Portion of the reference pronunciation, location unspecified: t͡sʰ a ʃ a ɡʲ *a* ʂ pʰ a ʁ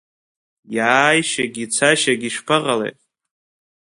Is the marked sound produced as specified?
no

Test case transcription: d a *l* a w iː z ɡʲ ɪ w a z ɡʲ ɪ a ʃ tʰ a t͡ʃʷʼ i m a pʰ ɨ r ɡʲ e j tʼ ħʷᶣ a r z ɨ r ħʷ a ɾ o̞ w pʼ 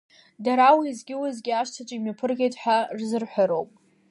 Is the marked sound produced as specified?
no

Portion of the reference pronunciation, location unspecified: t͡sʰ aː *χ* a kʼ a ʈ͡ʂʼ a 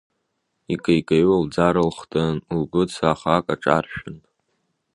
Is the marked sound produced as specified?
yes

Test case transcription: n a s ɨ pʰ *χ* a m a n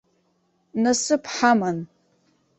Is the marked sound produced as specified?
no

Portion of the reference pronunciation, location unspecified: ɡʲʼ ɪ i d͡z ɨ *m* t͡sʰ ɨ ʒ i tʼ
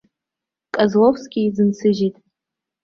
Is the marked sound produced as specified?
no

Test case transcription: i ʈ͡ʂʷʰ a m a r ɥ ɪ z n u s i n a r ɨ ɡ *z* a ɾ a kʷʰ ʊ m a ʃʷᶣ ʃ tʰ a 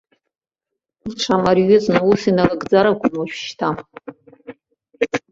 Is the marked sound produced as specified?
no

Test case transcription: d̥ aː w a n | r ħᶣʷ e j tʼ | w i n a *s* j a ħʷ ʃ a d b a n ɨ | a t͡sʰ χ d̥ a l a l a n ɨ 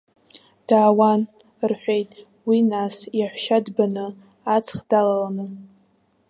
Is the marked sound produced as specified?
yes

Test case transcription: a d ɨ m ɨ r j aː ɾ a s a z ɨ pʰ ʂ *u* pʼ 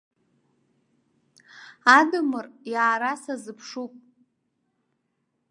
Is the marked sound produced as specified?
yes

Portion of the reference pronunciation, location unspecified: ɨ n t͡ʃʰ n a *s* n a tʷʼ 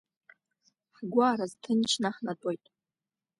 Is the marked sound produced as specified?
no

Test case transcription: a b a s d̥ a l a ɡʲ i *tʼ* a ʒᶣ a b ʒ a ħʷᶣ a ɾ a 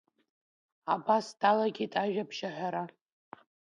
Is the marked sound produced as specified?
yes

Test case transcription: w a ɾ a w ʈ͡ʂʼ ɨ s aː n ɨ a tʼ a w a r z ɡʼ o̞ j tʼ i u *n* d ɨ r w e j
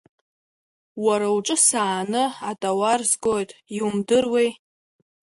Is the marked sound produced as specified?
no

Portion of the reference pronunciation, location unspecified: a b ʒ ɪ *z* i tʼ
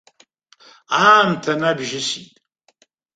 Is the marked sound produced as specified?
no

